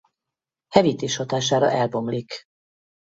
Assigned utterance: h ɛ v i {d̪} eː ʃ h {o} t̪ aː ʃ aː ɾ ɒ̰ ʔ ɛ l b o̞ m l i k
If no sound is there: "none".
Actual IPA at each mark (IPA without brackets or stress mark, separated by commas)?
t̪, o